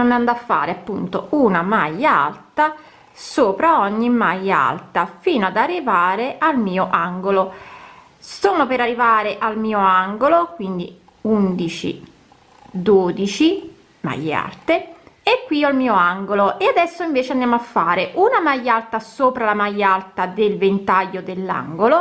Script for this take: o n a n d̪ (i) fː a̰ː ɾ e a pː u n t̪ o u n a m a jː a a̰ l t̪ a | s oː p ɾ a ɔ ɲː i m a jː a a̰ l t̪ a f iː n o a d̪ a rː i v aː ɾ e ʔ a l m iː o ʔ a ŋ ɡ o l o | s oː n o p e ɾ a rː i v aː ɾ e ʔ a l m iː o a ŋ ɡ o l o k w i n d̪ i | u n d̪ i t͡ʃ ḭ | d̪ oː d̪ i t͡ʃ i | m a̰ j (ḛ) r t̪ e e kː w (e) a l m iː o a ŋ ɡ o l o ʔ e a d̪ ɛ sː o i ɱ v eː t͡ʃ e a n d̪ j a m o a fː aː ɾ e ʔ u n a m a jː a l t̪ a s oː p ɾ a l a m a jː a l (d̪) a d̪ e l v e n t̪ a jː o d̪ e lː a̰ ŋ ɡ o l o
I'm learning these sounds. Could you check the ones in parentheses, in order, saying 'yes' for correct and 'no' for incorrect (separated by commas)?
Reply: no, no, no, no